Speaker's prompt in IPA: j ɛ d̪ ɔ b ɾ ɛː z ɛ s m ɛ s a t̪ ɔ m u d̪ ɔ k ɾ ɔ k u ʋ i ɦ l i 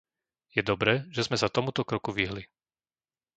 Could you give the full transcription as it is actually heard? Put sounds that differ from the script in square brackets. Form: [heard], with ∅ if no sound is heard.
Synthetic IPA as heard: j ɛ d̪ ɔ b ɾ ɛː [ʒ] ɛ [z] m ɛ s a t̪ ɔ m u [t̪] ɔ k ɾ ɔ k u ʋ i ɦ l i